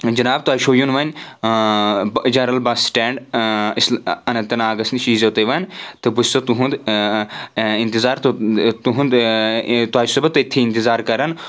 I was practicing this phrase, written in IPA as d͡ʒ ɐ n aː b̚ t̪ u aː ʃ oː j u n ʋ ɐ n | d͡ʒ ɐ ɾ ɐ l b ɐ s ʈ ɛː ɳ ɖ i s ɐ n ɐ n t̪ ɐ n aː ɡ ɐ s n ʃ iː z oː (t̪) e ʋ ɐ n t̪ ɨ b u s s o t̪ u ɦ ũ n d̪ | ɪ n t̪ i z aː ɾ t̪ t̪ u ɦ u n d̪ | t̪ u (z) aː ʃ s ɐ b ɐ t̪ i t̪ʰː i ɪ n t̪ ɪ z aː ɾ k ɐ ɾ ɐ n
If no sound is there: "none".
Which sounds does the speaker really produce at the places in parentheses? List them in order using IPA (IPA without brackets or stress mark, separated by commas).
t̪, none